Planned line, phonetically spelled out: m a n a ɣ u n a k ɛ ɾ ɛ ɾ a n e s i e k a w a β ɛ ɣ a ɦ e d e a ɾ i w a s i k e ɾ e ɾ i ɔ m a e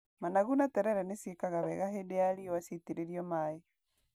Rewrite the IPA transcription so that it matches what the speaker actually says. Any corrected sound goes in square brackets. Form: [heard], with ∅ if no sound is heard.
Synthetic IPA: m a n a ɣ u n a [t] ɛ ɾ ɛ ɾ [ɛ] n e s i e k a [ɣ] a β ɛ ɣ a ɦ e d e a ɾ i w a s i [t] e ɾ e ɾ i ɔ m a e